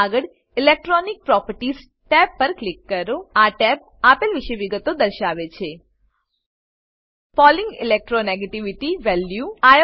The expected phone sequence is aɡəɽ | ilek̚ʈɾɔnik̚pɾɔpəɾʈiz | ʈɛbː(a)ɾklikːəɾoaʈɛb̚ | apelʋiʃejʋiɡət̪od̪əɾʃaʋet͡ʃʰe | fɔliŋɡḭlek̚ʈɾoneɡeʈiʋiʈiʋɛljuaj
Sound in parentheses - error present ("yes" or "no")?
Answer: yes